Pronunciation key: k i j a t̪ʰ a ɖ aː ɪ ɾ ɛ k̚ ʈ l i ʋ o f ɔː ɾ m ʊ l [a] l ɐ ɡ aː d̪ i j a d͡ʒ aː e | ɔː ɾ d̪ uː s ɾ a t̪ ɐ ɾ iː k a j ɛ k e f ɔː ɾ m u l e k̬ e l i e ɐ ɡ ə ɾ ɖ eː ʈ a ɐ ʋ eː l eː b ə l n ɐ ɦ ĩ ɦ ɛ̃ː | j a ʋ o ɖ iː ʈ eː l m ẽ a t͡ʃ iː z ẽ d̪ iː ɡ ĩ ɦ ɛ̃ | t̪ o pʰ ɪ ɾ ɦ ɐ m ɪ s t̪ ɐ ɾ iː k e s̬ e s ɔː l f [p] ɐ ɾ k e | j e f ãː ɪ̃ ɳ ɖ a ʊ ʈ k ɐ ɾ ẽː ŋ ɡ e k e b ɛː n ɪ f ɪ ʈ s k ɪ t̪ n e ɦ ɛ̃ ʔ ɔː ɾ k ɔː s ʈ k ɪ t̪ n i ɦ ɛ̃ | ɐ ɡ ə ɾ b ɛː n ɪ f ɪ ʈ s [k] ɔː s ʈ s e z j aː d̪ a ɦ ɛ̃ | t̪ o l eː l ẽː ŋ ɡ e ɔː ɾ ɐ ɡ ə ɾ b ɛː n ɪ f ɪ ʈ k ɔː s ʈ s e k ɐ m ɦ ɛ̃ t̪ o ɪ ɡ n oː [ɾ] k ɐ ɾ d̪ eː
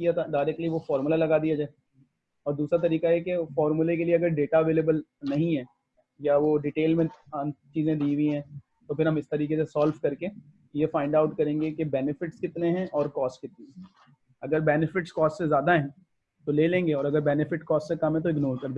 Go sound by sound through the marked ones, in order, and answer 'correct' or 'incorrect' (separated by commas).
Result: correct, incorrect, correct, correct